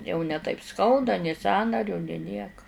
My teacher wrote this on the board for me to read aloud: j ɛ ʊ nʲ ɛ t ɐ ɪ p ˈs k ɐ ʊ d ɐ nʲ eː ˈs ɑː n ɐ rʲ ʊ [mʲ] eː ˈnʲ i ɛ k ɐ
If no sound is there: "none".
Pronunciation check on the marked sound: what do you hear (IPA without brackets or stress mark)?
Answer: nʲ